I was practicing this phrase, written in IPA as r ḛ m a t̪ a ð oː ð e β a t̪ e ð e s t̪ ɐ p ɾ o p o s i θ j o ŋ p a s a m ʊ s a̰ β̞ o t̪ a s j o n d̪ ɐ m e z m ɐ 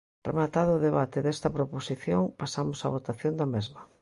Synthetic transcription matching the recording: r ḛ m a t̪ a ð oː ð e β a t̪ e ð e s t̪ ɐ p ɾ o p o s i θ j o ŋ p a s a m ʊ s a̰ β̞ o t̪ a θ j o n d̪ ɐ m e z m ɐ